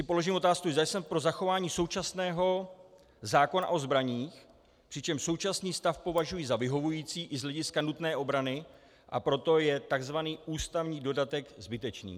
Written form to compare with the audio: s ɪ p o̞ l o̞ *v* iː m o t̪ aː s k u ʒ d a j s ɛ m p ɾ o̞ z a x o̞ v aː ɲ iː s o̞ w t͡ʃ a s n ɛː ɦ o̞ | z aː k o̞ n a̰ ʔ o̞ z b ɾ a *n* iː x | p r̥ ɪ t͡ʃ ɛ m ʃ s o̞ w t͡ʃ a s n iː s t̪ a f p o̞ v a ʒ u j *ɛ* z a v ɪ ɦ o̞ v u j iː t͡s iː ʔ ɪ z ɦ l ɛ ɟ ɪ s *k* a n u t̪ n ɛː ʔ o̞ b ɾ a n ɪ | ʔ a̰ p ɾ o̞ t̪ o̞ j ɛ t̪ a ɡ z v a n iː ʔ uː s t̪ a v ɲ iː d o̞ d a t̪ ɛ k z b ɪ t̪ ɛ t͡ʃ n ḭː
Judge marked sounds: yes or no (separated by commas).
no, no, no, yes